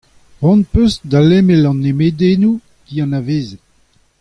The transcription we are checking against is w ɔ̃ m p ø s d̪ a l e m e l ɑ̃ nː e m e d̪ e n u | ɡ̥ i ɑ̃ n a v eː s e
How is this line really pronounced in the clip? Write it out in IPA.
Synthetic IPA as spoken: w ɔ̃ n p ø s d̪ a l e m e l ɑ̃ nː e m e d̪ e n u | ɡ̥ i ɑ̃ n a v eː z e